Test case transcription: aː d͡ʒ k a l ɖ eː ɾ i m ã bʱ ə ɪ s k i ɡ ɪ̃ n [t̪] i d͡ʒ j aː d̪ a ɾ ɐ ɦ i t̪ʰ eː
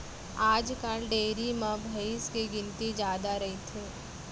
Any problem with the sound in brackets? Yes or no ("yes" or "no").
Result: no